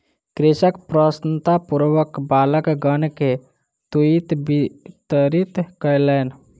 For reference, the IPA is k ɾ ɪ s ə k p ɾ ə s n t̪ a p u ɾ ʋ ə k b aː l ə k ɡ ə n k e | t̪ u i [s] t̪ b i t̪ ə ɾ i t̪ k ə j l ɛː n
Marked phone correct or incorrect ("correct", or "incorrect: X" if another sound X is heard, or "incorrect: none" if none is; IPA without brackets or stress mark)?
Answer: incorrect: none